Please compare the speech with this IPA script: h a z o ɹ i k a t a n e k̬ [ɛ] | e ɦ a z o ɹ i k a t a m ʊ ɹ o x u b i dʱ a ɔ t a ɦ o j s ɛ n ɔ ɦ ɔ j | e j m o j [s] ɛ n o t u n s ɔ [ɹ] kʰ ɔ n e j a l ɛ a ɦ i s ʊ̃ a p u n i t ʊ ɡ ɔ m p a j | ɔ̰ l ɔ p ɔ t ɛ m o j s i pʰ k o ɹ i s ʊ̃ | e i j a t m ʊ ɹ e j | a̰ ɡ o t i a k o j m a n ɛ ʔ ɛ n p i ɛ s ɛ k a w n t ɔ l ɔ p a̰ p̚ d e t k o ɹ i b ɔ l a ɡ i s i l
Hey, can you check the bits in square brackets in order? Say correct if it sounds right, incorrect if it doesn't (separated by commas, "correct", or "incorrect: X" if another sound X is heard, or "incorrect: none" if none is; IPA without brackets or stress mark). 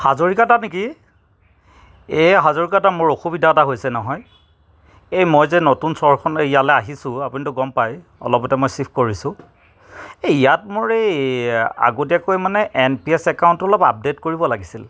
incorrect: i, incorrect: z, correct